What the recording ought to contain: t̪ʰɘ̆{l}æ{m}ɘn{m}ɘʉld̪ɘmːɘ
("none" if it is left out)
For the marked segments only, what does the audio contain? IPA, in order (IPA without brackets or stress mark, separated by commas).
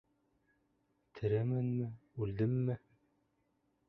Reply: ɾ, m, m